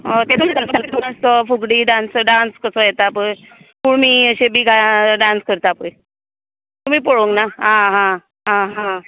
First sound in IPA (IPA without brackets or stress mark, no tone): t̪